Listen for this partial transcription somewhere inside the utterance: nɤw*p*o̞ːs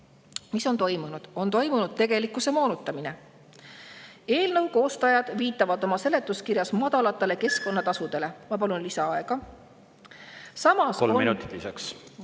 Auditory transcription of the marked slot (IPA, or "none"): k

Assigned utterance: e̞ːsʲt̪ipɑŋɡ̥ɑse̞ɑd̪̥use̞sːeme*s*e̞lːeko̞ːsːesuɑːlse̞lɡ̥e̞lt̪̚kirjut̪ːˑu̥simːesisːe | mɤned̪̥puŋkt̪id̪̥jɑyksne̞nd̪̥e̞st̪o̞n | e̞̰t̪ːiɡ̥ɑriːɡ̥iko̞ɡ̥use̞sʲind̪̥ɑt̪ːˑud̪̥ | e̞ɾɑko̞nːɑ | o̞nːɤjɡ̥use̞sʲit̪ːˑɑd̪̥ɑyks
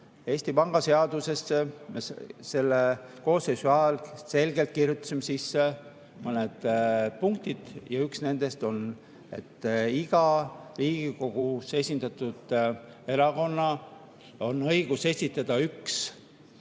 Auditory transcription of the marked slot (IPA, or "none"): s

